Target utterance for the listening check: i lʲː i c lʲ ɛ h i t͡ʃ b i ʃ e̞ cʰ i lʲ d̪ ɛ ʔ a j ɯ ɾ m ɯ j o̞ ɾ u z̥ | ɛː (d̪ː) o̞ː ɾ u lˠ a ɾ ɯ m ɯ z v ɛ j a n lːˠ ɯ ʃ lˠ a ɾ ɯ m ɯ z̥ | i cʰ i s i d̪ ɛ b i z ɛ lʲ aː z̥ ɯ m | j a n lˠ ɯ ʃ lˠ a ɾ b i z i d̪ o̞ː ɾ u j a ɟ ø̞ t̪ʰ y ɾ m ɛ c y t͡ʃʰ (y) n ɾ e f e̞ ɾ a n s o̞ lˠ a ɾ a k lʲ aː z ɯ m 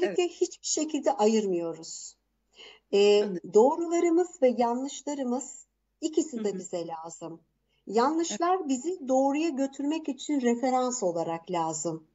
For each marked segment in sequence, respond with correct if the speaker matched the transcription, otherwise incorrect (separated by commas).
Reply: incorrect, incorrect